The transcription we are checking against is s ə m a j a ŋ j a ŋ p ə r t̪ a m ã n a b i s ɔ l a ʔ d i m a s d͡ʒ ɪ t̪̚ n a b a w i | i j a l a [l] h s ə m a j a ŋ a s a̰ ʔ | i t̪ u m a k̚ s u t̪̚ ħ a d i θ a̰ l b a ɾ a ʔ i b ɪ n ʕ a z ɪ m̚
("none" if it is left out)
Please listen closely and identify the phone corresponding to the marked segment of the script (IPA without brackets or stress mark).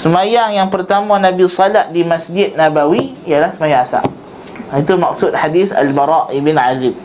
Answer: none